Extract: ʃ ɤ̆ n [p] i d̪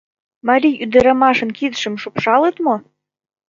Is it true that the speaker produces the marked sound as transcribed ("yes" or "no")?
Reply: no